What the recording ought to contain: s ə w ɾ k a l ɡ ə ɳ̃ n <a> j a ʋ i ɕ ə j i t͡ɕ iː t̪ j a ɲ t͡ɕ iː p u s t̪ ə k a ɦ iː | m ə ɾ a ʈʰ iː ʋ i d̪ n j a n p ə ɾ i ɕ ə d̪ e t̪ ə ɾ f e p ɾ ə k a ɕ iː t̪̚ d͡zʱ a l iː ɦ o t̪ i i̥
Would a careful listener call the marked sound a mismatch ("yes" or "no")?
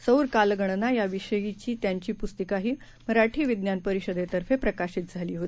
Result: no